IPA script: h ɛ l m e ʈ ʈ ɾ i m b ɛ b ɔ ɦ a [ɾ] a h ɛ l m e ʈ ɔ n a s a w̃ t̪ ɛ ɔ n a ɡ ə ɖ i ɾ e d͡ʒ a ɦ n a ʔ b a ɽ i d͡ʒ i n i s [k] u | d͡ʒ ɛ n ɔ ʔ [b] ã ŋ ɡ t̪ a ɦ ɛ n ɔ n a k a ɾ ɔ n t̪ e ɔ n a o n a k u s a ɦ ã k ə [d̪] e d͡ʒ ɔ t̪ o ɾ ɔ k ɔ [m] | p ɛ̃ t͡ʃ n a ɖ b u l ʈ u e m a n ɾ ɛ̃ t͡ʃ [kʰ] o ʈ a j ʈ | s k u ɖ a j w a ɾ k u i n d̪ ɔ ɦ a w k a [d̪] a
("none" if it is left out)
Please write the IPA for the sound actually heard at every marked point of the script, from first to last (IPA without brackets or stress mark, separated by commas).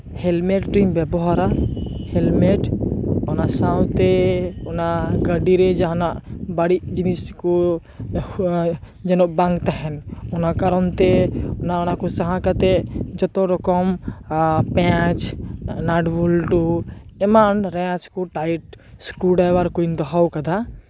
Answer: ɾ, k, b, t̪, m, k, d̪